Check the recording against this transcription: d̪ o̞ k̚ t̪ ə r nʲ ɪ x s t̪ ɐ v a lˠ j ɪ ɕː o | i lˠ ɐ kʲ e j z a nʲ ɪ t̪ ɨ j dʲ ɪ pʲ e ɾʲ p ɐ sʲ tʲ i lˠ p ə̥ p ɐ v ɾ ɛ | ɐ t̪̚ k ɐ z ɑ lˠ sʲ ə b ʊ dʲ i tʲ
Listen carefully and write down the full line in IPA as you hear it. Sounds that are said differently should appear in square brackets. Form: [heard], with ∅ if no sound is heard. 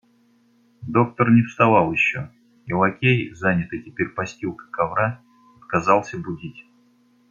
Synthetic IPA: d̪ o̞ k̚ t̪ ə r nʲ ɪ [f] s t̪ ɐ v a lˠ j ɪ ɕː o | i lˠ ɐ kʲ e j z a nʲ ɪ t̪ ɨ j [tʲ] ɪ pʲ e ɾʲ p ɐ sʲ tʲ i lˠ [k] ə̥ [k] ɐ v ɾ [a] | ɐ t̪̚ k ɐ z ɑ lˠ sʲ ə b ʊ dʲ i tʲ